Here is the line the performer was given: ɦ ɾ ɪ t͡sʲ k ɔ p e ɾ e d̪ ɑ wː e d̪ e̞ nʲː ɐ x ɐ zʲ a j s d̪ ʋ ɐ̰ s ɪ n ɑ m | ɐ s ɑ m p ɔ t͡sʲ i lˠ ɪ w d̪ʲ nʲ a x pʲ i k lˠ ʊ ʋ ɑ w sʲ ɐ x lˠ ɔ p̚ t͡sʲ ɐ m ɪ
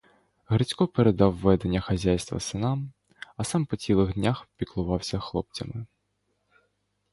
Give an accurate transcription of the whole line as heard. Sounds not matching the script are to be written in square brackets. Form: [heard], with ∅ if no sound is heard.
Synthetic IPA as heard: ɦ ɾ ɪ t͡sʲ k ɔ p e ɾ e d̪ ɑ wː [ɛ] d̪ e̞ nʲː ɐ x ɐ zʲ a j s [t̪] ʋ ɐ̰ s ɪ n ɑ m | ɐ s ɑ m p ɔ t͡sʲ i lˠ ɪ [ɣ] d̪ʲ nʲ a x pʲ i k lˠ ʊ ʋ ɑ w sʲ ɐ x lˠ ɔ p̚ t͡sʲ ɐ m ɪ